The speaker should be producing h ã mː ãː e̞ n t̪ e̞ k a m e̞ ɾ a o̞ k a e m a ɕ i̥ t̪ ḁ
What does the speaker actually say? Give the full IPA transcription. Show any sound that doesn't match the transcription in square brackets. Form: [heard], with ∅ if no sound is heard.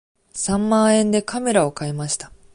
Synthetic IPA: [s] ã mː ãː [ẽ̞] n [d̪] e̞ k a m e̞ ɾ a o̞ k a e m a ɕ i̥ t̪ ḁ